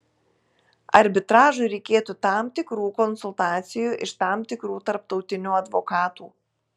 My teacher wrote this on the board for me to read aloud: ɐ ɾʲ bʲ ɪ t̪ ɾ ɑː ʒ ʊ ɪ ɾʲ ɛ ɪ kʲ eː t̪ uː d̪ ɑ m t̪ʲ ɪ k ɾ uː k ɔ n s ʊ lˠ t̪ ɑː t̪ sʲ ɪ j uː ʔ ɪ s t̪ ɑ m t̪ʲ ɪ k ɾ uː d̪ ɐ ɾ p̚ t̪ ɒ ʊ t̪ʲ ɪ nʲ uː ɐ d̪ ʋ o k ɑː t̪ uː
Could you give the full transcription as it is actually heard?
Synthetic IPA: ɐ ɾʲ bʲ ɪ t̪ ɾ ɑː ʒ ʊ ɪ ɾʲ ɛ ɪ kʲ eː t̪ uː t̪ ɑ m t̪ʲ ɪ k ɾ uː k ɔ n s ʊ lˠ t̪ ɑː t̪ sʲ ɪ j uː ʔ ɪ ʃ t̪ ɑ m t̪ʲ ɪ k ɾ uː t̪ ɐ ɾ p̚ t̪ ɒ ʊ t̪ʲ ɪ nʲ uː ɐ d̪ ʋ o k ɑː t̪ uː

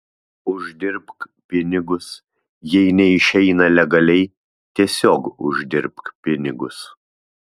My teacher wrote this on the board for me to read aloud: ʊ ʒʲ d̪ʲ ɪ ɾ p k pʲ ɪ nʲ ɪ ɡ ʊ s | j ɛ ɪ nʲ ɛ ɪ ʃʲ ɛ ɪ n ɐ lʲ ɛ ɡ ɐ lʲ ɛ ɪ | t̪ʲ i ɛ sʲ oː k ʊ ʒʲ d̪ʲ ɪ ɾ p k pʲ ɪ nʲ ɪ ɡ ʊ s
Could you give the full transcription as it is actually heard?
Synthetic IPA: ʊ ʒʲ d̪ʲ ɪ ɾ p k pʲ ɪ nʲ ɪ ɡ ʊ s | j ɛ ɪ nʲ ɛ ɪ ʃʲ ɛ ɪ n ɐ lʲ ɛ ɡ ɐ lʲ ɛ ɪ | t̪ʲ i ɛ sʲ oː k ʊ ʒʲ d̪ʲ ɪ ɾ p k pʲ ɪ nʲ ɪ ɡ ʊ s

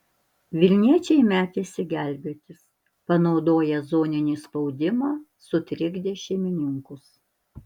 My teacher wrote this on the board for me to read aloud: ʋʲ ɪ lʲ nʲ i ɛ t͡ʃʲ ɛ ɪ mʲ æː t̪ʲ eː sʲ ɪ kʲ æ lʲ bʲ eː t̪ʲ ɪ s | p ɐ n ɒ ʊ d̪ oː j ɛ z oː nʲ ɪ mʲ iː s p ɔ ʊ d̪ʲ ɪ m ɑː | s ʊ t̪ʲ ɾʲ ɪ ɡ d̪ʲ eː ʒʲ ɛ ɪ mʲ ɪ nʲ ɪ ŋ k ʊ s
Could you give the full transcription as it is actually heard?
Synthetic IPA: ʋʲ ɪ lʲ nʲ i ɛ t͡ʃʲ ɛ ɪ mʲ æː t̪ʲ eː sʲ ɪ ɡʲ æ lʲ bʲ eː t̪ʲ ɪ s | p ɐ n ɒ ʊ d̪ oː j ɛ z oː nʲ ɪ nʲ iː s p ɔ ʊ d̪ʲ ɪ m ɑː | s ʊ t̪ʲ ɾʲ ɪ ɡ d̪ʲ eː ʃʲ ɛ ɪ mʲ ɪ nʲ ɪ ŋ k ʊ s

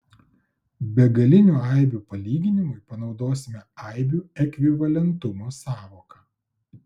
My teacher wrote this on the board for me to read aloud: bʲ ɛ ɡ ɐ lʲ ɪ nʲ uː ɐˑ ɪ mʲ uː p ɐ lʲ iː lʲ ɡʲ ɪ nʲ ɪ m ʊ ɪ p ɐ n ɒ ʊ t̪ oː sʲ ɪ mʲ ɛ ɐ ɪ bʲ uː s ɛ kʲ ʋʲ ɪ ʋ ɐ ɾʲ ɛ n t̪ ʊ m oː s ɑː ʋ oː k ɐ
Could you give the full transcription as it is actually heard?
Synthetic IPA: bʲ ɛ ɡ ɐ lʲ ɪ nʲ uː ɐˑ ɪ bʲ uː p ɐ lʲ iː ɡʲ ɪ nʲ ɪ m ʊ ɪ p ɐ n ɒ ʊ d̪ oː sʲ ɪ mʲ ɛ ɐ ɪ bʲ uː ɛ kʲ ʋʲ ɪ ʋ ɐ lʲ ɛ n t̪ ʊ m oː s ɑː ʋ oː k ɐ

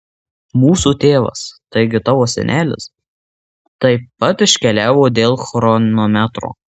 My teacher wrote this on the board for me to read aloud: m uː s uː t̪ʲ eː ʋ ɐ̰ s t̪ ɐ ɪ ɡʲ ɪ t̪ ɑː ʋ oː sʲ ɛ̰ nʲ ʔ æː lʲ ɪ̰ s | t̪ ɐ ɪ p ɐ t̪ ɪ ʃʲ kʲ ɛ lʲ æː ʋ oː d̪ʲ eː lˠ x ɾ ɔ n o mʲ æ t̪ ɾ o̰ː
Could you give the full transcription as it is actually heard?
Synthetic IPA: m uː s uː t̪ʲ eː ʋ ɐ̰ s t̪ ɐ ɪ ɡʲ ɪ t̪ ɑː ʋ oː sʲ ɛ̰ nʲ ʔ æː lʲ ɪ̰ s | t̪ ɐ ɪ p ɐ t̪ ɪ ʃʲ kʲ ɛ lʲ æː ʋ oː d̪ʲ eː lˠ x ɾ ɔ n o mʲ æ t̪ ɾ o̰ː

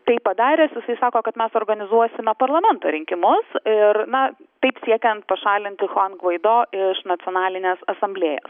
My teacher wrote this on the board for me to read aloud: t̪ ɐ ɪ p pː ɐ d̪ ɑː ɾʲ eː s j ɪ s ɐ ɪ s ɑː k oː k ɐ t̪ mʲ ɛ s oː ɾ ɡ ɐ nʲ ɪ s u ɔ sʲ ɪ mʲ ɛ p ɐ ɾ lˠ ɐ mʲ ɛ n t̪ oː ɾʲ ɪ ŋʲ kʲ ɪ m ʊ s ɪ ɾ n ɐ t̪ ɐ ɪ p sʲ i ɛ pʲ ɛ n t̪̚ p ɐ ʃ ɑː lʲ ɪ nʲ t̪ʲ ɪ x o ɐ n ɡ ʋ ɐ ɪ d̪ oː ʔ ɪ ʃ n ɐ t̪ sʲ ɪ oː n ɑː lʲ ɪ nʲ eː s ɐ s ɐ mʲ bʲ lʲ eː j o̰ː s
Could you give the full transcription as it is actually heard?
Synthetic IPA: t̪ ɐ ɪ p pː ɐ d̪ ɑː ɾʲ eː s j ɪ s ɐ ɪ s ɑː k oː k ɐ t̪ mʲ ɛ s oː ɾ ɡ ɐ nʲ ɪ z u ɔ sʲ ɪ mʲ ɛ p ɐ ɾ lˠ ɐ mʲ ɛ n t̪ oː ɾʲ ɪ ŋʲ kʲ ɪ m ʊ s ɪ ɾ n ɐ t̪ ɐ ɪ p sʲ i ɛ kʲ ɛ n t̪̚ p ɐ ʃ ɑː lʲ ɪ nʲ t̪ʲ ɪ x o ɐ n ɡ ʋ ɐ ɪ d̪ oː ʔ ɪ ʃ n ɐ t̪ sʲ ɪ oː n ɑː lʲ ɪ nʲ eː s ɐ s ɐ mʲ bʲ lʲ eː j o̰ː s

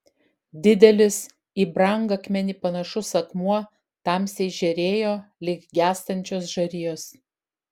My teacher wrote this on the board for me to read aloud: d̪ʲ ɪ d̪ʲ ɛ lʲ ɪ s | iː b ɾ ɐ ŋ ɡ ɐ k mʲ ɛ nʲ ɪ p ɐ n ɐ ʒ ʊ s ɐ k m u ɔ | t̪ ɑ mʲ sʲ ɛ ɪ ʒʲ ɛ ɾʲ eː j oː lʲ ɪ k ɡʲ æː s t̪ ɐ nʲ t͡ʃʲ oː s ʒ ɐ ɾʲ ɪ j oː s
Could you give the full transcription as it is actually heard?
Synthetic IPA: d̪ʲ ɪ d̪ʲ ɛ lʲ ɪ s | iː b ɾ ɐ ŋ ɡ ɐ k mʲ ɛ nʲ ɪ p ɐ n ɐ ʃ ʊ s ɐ k m u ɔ | t̪ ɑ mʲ sʲ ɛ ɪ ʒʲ ɛ ɾʲ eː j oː lʲ ɪ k ɡʲ æː s t̪ ɐ nʲ t͡ʃʲ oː s ʒ ɐ ɾʲ ɪ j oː s

